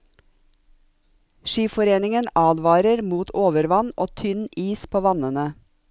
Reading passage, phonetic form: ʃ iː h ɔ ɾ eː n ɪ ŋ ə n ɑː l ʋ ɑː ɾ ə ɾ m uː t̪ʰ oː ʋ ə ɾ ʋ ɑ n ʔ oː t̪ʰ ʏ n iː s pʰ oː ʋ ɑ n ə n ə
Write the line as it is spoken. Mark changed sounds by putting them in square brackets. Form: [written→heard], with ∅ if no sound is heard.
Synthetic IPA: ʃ iː [h→f] ɔ ɾ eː n ɪ ŋ ə n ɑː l ʋ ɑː ɾ ə ɾ m uː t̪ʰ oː ʋ ə ɾ ʋ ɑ n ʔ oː t̪ʰ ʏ n iː s pʰ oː ʋ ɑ n ə n ə